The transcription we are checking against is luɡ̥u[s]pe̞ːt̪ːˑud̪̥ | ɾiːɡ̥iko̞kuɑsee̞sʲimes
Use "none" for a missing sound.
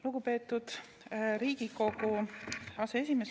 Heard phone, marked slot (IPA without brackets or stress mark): none